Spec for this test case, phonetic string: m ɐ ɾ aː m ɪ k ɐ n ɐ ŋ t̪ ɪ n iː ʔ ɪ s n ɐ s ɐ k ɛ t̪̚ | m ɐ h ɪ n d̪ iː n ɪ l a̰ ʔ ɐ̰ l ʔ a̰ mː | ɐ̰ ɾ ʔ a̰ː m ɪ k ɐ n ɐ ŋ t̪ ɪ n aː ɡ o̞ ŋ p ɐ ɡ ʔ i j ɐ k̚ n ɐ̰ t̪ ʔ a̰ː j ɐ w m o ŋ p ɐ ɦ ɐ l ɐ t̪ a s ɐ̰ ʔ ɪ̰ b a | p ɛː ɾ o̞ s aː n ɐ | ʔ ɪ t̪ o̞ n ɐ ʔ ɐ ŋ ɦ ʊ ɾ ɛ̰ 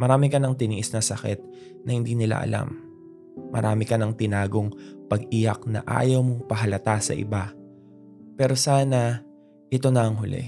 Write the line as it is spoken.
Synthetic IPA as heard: m ɐ ɾ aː m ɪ k ɐ n ɐ ŋ t̪ ɪ n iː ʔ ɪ s n ɐ s ɐ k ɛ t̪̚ | n ɐ h ɪ n d̪ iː n ɪ l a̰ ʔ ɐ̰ l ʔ a̰ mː | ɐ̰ ɾ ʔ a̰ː m ɪ k ɐ n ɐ ŋ t̪ ɪ n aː ɡ o̞ ŋ p ɐ ɡ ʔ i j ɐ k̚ n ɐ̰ ʔ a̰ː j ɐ w m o ŋ p ɐ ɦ ɐ l ɐ t̪ a s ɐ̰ ʔ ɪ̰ b a | p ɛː ɾ o̞ s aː n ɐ | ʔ ɪ t̪ o̞ n ɐ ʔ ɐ ŋ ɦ ʊ l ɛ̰